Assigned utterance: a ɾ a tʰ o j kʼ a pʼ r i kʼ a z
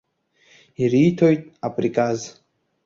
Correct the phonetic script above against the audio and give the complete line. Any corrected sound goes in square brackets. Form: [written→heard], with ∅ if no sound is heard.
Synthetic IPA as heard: [a→i] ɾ [a→i] tʰ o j [kʼ→tʼ] a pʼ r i kʼ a z